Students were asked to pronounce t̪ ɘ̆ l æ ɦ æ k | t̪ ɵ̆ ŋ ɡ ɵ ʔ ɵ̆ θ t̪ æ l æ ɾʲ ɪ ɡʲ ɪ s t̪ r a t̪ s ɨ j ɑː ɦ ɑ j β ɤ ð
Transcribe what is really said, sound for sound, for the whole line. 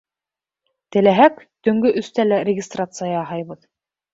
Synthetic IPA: t̪ ɘ̆ l æ ɦ æ k | t̪ ɵ̆ ŋ ɡ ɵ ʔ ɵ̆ s t̪ æ l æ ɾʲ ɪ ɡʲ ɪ s t̪ r a t̪ s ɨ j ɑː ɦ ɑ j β ɤ ð